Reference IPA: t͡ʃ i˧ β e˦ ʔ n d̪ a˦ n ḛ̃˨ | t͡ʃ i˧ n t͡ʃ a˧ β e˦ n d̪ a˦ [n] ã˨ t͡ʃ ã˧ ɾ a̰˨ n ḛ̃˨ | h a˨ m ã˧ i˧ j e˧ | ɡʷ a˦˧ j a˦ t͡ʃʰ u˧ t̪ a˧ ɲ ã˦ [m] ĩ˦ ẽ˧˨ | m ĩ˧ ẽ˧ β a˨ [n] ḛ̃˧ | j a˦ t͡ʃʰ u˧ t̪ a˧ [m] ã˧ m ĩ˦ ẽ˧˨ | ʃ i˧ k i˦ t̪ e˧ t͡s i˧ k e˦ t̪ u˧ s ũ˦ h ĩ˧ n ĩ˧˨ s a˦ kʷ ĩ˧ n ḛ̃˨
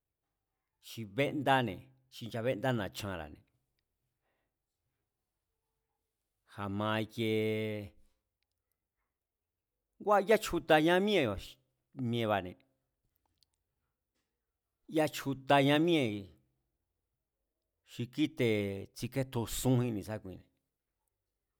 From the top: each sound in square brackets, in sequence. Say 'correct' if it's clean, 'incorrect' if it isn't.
correct, correct, correct, incorrect

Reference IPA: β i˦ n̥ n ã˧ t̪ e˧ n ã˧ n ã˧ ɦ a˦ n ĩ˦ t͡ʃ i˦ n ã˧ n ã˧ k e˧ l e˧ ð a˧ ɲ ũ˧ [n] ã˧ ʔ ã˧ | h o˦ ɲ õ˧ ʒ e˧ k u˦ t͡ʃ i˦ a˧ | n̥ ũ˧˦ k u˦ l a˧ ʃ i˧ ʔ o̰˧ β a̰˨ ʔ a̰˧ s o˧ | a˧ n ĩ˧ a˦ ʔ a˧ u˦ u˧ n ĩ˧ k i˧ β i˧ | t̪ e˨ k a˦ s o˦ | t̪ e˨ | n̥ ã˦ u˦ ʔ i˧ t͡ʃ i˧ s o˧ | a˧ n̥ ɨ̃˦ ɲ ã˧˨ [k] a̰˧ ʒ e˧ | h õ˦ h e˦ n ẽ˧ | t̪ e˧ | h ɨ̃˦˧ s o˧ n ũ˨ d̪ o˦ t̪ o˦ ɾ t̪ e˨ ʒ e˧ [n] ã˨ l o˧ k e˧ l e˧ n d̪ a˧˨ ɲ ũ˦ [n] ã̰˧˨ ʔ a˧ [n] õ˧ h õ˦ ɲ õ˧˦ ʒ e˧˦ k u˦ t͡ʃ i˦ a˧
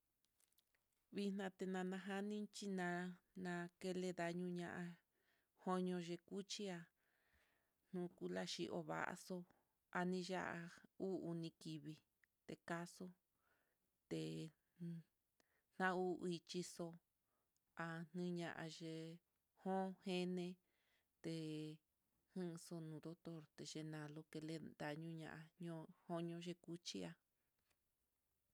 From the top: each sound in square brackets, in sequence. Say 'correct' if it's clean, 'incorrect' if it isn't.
incorrect, incorrect, correct, incorrect, incorrect

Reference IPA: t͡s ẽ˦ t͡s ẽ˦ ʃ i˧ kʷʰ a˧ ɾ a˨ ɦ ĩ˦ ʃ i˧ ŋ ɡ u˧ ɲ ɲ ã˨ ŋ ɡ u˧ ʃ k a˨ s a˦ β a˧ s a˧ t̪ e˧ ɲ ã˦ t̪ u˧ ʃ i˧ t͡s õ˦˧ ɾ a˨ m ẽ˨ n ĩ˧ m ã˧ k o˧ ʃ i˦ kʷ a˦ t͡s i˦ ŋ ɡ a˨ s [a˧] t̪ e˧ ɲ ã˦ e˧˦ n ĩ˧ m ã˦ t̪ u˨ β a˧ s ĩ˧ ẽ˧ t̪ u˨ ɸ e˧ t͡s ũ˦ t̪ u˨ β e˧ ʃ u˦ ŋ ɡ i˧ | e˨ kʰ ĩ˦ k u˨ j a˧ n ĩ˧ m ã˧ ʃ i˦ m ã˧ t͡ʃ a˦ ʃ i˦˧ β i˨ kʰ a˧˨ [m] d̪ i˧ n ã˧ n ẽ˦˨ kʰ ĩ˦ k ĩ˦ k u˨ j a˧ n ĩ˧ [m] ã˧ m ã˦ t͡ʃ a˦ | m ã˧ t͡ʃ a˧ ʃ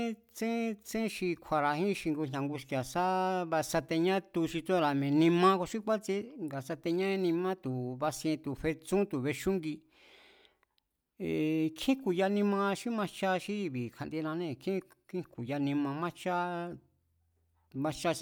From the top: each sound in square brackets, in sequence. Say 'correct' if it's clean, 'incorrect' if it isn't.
correct, incorrect, correct

